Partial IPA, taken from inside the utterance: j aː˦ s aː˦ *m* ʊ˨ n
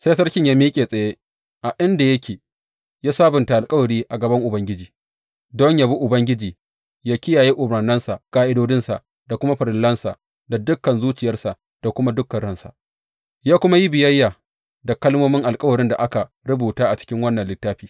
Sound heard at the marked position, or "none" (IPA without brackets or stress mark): b